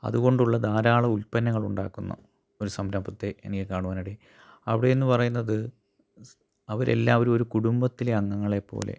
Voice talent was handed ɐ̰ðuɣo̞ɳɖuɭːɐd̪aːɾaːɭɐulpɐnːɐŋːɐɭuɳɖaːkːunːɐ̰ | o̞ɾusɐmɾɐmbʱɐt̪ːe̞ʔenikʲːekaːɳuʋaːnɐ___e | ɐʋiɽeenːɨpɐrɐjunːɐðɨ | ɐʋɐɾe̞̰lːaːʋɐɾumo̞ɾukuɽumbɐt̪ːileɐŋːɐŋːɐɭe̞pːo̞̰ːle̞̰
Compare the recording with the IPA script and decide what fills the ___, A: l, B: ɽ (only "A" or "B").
B